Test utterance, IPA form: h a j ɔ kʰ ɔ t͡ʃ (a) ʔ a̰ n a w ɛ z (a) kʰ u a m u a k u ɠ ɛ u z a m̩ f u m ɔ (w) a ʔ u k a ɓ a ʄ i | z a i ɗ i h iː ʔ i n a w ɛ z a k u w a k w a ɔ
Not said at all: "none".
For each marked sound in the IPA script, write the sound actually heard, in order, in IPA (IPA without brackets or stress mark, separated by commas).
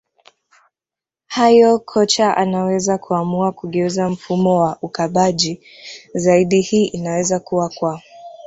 a, a, w